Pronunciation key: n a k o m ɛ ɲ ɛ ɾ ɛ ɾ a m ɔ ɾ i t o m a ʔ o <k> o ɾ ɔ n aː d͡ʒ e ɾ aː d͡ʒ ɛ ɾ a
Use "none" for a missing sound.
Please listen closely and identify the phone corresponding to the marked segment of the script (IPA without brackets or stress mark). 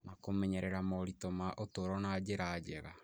t